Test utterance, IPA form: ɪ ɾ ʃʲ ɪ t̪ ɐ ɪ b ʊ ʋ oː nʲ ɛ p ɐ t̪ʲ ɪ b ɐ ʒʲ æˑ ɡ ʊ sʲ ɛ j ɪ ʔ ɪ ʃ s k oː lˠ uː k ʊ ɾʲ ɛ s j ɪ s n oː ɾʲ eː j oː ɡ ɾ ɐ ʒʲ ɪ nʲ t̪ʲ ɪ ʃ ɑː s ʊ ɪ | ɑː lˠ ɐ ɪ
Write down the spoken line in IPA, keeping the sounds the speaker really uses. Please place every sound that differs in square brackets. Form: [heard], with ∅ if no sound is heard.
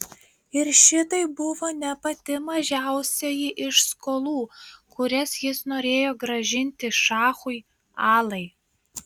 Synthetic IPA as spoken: ɪ ɾ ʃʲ ɪ t̪ ɐ ɪ b ʊ ʋ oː nʲ ɛ p ɐ t̪ʲ ɪ [m] ɐ ʒʲ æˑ [∅] ʊ sʲ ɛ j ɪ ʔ ɪ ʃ s k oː lˠ uː k ʊ ɾʲ ɛ s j ɪ s n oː ɾʲ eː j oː ɡ ɾ ɐ ʒʲ ɪ nʲ t̪ʲ ɪ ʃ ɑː [x] ʊ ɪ | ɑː lˠ ɐ ɪ